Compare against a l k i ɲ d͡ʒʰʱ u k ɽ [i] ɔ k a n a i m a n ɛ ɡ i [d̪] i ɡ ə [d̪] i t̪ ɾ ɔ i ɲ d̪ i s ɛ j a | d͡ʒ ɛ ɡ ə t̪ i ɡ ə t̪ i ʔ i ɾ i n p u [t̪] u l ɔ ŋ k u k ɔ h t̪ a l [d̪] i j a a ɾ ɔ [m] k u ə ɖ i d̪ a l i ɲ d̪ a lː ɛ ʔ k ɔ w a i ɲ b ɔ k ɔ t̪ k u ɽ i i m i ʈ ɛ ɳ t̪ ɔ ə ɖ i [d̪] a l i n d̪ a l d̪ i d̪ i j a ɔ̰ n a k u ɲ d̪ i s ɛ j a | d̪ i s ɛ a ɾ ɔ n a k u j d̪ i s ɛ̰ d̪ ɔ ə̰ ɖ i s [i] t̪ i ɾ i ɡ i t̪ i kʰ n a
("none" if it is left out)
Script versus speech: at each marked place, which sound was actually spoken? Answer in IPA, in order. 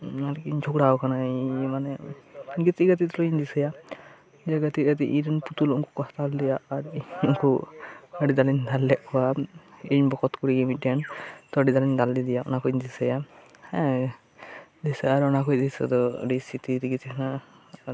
a, t̪, t̪, t̪, d̪, ŋ, d̪, i

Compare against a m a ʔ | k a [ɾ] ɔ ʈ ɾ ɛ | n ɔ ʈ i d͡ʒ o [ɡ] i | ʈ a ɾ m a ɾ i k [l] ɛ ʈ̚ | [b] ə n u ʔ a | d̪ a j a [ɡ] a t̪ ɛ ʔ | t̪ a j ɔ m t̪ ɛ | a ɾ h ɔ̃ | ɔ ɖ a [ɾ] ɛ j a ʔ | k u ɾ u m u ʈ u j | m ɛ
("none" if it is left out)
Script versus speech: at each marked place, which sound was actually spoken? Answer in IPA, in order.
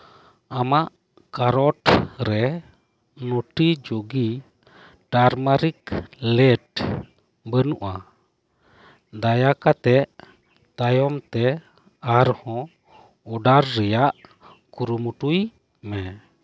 ɾ, ɡ, l, b, k, ɾː

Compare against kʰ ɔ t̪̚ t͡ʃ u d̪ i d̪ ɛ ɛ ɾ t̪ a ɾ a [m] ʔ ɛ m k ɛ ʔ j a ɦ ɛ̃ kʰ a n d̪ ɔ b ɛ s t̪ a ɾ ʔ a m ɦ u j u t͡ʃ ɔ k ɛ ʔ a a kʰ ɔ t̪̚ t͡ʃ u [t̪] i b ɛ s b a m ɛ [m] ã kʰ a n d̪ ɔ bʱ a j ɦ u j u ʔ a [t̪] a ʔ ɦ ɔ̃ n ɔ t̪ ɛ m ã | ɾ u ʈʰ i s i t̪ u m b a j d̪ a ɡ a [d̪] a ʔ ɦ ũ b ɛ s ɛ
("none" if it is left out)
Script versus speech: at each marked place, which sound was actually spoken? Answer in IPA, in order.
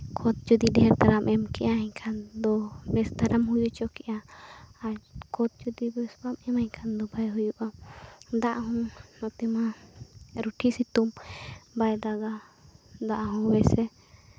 m, d̪, m, d̪, d̪

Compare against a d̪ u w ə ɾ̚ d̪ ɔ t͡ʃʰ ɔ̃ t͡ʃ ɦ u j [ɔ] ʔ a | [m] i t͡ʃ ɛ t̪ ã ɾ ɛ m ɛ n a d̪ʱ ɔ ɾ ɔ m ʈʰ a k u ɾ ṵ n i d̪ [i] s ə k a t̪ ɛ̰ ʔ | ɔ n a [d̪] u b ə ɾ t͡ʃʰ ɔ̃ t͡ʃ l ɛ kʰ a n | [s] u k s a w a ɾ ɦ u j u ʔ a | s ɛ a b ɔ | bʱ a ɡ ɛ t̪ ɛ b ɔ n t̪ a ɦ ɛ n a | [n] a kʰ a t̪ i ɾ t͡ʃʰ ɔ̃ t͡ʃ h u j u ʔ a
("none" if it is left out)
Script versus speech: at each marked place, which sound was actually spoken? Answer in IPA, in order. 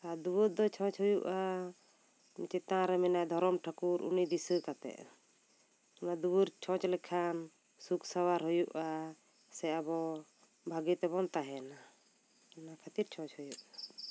u, m, i, d̪, s, n

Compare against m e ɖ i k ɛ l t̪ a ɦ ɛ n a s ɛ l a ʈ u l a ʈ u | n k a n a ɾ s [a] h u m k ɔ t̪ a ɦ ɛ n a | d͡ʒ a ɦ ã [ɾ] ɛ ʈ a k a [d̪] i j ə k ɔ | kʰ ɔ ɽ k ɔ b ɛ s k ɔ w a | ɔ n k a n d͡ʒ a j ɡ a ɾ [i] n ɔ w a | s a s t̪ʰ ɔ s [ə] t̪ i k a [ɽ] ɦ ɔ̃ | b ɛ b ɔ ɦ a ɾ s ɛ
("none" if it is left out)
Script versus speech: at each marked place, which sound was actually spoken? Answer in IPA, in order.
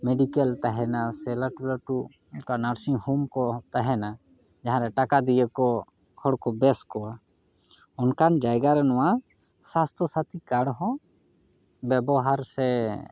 i, ɾ, d̪, ɛ, a, ɽ

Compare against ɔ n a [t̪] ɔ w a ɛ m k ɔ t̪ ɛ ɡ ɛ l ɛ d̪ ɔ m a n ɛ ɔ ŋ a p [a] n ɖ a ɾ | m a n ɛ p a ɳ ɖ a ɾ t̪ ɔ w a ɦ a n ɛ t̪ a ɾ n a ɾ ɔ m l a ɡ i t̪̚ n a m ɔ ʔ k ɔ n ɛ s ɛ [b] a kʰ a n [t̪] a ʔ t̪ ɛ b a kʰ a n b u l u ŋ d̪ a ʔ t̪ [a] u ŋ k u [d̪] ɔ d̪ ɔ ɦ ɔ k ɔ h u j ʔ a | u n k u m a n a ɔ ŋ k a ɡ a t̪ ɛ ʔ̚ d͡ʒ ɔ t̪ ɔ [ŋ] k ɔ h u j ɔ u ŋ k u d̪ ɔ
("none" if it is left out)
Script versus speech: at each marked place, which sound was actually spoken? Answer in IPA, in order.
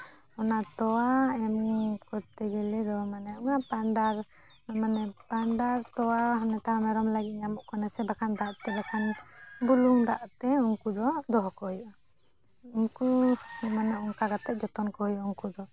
t̪, a, b, d̪, ɛ, d̪, n

